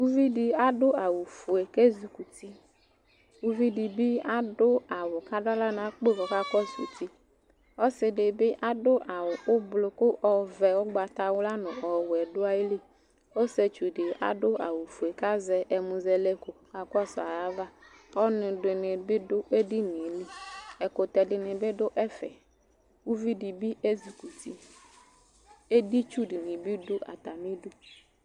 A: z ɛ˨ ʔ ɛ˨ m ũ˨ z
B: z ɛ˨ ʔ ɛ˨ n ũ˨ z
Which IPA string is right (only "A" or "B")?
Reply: A